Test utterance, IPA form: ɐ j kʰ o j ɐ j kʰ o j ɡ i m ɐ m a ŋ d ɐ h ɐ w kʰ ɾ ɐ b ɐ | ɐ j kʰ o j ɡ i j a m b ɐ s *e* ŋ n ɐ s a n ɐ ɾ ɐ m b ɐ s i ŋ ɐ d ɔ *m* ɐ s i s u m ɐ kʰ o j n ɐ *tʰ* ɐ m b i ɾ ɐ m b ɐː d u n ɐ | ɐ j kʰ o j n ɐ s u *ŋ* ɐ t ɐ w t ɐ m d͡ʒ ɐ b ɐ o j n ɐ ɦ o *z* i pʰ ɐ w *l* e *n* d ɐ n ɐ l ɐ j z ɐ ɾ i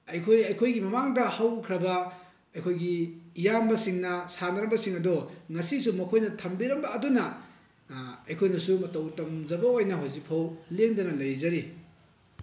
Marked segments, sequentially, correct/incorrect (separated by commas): incorrect, incorrect, correct, incorrect, correct, correct, incorrect